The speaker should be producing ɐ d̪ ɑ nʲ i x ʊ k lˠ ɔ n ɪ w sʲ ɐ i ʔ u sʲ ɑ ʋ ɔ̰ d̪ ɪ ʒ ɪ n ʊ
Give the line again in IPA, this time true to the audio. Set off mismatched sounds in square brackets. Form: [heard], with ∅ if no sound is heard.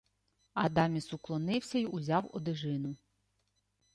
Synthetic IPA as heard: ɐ d̪ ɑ [mʲ] i [s] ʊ k lˠ ɔ n ɪ w sʲ ɐ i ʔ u [zʲ] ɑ [w] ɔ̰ d̪ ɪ ʒ ɪ n ʊ